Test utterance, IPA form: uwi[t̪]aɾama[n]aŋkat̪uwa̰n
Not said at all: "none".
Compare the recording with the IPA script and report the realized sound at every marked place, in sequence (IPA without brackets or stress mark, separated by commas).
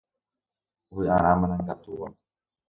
none, n